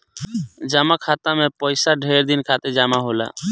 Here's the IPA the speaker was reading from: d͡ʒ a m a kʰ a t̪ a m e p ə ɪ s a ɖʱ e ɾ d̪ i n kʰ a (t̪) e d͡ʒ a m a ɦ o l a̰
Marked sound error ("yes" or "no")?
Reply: no